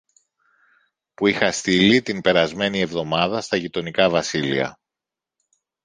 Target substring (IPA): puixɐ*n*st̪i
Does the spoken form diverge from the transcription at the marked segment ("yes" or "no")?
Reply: yes